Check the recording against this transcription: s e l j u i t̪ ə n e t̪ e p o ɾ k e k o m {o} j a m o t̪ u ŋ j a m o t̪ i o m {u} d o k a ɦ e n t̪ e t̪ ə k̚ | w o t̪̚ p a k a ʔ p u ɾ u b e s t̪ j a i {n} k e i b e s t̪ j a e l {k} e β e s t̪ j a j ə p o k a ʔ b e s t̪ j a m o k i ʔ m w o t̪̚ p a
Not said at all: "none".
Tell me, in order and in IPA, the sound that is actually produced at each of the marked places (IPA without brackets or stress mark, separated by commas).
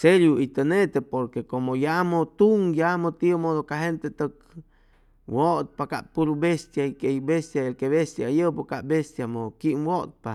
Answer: o, o, none, k